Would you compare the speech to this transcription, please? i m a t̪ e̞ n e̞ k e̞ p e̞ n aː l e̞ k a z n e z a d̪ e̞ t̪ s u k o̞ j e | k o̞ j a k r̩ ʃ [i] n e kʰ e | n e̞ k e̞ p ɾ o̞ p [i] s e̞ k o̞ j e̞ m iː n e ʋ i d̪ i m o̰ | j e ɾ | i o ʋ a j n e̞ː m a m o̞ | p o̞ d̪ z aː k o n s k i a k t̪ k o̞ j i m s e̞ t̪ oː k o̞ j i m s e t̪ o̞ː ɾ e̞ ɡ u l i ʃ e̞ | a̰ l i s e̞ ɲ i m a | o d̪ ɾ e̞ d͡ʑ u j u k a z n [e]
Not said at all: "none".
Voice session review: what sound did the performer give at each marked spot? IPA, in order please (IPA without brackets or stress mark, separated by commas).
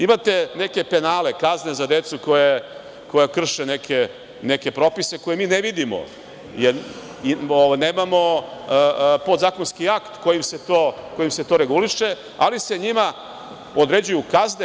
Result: e, i, e